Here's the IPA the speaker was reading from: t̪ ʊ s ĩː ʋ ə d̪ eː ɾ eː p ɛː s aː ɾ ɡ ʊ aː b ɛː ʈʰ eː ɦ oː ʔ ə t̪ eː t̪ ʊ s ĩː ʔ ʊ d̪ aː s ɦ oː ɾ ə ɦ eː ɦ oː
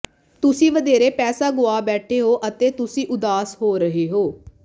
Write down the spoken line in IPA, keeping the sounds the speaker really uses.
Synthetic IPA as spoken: t̪ ʊ s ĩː ʋ ə d̪ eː ɾ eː p ɛː s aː ɡ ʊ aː b ɛː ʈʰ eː ɦ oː ʔ ə t̪ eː t̪ ʊ s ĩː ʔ ʊ d̪ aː s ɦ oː ɾ ə ɦ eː ɦ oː